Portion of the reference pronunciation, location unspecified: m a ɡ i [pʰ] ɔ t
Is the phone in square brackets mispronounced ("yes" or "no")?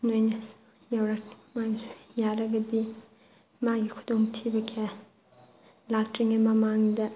yes